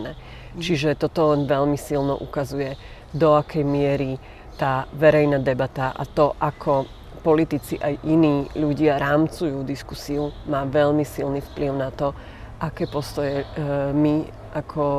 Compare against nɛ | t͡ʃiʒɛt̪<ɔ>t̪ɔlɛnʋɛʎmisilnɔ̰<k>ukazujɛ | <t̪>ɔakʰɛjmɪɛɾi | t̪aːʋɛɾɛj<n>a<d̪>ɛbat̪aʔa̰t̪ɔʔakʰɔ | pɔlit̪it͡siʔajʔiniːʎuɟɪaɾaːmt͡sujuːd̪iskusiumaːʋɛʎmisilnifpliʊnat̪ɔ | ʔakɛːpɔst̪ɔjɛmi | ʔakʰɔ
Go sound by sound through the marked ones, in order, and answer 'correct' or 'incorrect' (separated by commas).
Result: correct, incorrect, incorrect, correct, correct